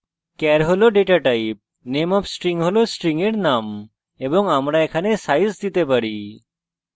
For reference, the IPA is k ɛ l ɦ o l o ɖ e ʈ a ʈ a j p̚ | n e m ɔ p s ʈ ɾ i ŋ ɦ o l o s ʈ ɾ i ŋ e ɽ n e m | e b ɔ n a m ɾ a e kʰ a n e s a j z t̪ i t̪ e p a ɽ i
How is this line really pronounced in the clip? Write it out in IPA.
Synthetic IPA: k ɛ ɾ ɦ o l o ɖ e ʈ a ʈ a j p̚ | n e m ɔ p s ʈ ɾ i ŋ ɦ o l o s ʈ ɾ i ŋ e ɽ n a m | e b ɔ ŋ a m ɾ a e kʰ a n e s a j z d̪ i t̪ e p a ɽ i